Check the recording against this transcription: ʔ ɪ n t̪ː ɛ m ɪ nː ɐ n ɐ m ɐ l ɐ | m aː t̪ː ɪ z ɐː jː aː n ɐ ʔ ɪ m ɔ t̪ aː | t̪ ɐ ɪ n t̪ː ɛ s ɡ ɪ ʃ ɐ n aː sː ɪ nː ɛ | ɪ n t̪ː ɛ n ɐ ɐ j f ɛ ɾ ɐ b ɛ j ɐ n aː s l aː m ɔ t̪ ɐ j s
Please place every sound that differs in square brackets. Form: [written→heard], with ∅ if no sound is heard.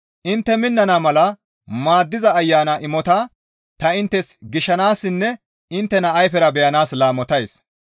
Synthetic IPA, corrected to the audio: ʔ ɪ n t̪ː ɛ m ɪ nː ɐ n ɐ m ɐ l ɐ | m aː [t̪ː→d̪ː] ɪ z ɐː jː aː n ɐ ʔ ɪ m ɔ t̪ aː | t̪ ɐ ɪ n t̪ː ɛ s ɡ ɪ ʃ ɐ n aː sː ɪ nː ɛ | ɪ n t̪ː ɛ n ɐ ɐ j f ɛ ɾ ɐ b ɛ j ɐ n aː s l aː m ɔ t̪ ɐ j s